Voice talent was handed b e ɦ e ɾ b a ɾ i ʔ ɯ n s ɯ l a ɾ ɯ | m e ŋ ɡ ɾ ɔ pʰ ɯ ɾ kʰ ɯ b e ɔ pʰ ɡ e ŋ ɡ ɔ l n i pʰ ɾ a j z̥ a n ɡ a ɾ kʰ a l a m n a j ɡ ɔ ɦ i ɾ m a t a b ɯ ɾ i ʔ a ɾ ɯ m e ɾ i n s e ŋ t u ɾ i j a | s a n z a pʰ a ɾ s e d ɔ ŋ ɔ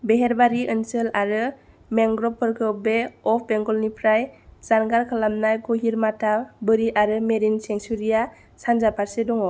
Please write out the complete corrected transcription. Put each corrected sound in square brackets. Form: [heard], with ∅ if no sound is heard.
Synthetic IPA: b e ɦ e ɾ b a ɾ i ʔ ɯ n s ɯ l a ɾ ɯ | m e ŋ ɡ ɾ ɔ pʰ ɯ ɾ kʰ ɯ b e ɔ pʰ [b] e ŋ ɡ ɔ l n i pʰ ɾ a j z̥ a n ɡ a ɾ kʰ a l a m n a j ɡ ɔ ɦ i ɾ m a t a b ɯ ɾ i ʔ a ɾ ɯ m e ɾ i n s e ŋ [s] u ɾ i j a | s a n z a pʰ a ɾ s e d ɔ ŋ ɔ